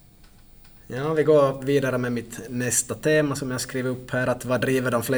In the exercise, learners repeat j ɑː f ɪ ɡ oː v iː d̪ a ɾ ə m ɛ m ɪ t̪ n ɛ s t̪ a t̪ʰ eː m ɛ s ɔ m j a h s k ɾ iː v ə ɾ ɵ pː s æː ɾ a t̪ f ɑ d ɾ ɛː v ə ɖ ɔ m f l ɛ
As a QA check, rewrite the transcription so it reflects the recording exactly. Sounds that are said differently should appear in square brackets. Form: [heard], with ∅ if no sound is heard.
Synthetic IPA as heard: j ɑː [v] ɪ ɡ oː v iː d̪ a ɾ ə m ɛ m ɪ t̪ n ɛ s t̪ a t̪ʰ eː m [a] s ɔ m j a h s k ɾ iː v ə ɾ ɵ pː [h] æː ɾ a t̪ [v] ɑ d ɾ [iː] v ə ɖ ɔ m f l ɛ